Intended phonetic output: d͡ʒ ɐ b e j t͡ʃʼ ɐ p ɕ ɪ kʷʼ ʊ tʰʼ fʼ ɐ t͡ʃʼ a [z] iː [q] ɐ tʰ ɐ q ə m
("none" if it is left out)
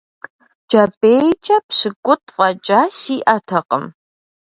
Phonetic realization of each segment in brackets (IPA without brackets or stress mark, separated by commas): s, ʔ